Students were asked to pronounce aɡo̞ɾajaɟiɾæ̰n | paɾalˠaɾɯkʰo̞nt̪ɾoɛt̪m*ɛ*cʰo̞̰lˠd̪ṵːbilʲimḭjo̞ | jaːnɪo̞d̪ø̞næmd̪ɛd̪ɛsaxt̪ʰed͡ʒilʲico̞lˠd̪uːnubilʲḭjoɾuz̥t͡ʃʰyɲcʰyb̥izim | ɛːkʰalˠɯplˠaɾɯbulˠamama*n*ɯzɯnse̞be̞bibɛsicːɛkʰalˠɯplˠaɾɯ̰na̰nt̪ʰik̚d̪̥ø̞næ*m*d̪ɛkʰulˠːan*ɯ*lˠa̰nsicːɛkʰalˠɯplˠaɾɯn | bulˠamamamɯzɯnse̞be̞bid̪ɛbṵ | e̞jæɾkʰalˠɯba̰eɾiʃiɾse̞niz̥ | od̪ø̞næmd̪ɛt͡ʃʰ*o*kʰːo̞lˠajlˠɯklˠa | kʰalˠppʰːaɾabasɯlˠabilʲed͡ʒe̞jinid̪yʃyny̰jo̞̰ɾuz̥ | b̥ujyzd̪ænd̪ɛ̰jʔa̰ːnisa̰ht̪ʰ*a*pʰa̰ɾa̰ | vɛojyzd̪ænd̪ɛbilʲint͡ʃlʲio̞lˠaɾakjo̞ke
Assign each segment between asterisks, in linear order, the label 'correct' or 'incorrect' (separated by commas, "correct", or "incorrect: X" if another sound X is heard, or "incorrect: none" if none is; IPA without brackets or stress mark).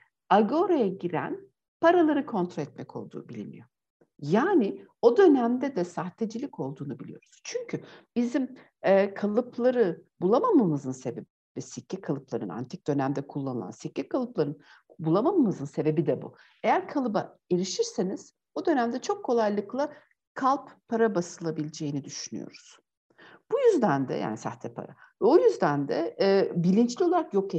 correct, incorrect: m, correct, correct, correct, incorrect: ɛ